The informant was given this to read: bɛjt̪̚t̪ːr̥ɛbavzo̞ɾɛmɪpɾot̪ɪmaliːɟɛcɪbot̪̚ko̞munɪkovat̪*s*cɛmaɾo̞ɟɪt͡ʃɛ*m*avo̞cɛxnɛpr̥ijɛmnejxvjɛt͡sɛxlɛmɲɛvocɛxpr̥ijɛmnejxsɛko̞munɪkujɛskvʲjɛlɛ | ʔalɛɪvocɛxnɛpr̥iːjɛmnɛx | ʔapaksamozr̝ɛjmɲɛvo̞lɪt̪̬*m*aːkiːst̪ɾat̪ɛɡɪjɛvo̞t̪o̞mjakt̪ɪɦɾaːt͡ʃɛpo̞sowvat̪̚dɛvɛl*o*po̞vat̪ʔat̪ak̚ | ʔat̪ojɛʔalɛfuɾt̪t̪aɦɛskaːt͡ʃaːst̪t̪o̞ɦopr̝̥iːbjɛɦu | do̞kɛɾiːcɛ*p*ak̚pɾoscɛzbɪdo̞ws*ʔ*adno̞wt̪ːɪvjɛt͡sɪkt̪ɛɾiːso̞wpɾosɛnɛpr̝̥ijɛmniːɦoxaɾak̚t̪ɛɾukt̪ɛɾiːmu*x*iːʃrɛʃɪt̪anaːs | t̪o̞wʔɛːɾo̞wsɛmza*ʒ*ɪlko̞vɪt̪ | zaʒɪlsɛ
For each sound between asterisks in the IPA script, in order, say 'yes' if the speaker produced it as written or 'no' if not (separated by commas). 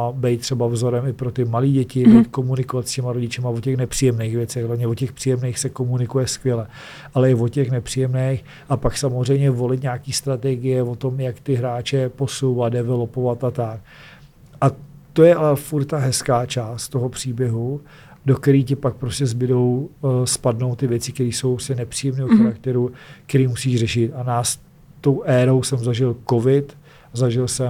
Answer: yes, yes, no, yes, yes, no, no, yes